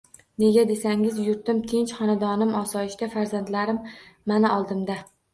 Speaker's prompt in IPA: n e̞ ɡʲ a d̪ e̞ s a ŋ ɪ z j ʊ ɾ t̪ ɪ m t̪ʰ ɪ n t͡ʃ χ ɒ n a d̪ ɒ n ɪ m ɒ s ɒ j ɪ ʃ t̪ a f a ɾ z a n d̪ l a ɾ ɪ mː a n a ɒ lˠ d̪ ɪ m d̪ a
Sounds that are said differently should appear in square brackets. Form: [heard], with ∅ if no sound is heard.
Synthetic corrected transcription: n e̞ ɡʲ a d̪ e̞ s a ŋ ɪ z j ʊ ɾ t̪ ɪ m t̪ʰ ɪ n t͡ʃ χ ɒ n a d̪ ɒ n ɪ m ɒ s ɒ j ɪ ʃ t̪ a f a ɾ z a n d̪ l a ɾ ɪ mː a n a ɒ lˠ d̪ ɪ m d̪ a